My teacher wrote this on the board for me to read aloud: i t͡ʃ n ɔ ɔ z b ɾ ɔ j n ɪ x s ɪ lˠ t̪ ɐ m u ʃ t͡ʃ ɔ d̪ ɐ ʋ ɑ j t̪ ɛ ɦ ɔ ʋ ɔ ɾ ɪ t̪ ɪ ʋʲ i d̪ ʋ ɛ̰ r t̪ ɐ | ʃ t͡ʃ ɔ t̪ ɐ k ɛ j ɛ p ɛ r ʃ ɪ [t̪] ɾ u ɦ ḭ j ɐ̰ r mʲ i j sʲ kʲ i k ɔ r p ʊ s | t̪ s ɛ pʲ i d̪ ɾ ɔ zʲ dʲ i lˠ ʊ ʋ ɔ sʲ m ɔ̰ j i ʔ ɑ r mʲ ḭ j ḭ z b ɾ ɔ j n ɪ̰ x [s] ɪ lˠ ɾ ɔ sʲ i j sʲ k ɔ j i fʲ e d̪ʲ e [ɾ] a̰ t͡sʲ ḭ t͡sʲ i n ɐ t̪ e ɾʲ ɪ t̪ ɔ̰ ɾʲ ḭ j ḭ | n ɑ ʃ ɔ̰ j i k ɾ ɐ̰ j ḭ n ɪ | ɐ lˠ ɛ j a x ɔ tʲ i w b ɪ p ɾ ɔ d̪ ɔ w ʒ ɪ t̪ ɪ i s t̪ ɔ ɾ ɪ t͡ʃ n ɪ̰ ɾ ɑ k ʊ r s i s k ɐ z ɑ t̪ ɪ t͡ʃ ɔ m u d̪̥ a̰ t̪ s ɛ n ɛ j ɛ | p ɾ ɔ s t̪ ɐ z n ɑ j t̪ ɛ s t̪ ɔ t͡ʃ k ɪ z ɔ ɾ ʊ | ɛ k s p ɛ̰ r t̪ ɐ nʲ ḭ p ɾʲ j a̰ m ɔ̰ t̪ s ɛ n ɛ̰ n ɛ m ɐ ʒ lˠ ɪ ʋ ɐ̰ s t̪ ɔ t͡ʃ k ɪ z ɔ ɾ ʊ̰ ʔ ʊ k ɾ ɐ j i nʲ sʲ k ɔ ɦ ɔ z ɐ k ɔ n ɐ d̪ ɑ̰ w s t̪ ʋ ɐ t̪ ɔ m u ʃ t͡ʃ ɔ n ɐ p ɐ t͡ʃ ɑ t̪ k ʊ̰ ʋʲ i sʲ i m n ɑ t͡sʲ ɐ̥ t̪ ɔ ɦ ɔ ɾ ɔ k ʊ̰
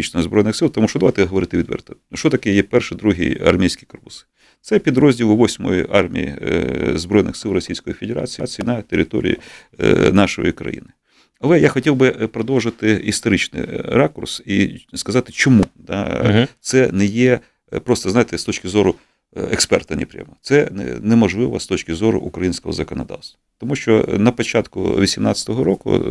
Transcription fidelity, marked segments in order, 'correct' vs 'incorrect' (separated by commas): incorrect, correct, correct